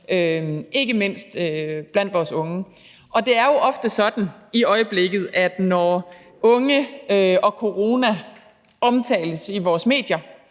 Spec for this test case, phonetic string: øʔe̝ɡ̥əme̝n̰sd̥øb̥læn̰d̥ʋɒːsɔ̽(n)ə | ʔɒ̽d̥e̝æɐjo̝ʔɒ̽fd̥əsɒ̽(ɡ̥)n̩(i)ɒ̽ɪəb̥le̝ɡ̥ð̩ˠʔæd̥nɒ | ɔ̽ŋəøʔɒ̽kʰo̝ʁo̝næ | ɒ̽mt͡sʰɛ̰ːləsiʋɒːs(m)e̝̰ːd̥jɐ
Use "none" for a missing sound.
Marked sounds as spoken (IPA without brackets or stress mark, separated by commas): ŋ, d̥, i, m